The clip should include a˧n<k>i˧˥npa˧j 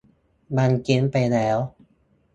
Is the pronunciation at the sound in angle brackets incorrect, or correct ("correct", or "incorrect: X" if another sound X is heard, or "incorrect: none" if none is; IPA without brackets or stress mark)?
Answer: correct